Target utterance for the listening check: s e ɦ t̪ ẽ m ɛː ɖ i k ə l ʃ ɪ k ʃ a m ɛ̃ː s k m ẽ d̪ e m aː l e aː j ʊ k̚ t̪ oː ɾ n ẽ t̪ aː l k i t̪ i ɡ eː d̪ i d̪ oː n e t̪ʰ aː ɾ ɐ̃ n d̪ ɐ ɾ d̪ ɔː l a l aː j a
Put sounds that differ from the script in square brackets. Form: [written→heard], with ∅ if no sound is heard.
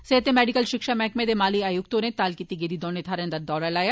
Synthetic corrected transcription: s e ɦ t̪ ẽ m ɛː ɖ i k ə l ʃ ɪ k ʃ a m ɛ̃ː [s→∅] k m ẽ d̪ e m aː l [e→i] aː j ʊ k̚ t̪ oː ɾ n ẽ t̪ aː l k i t̪ i ɡ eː d̪ i d̪ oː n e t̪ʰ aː ɾ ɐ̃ n d̪ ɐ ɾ d̪ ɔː [l→ɾ] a l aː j a